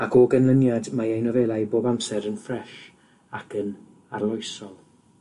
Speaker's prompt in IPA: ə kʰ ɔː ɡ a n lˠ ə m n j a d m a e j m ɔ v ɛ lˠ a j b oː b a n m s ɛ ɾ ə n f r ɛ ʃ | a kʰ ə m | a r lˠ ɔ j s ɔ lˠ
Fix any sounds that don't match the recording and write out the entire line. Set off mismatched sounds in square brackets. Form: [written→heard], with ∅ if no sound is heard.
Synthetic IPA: [ə→a] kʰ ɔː ɡ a n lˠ ə [m→∅] n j a d m a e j [m→n] ɔ v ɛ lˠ a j b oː b a [n→∅] m s ɛ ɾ ə n f r ɛ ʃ | a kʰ ə [m→n] | a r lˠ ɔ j s ɔ lˠ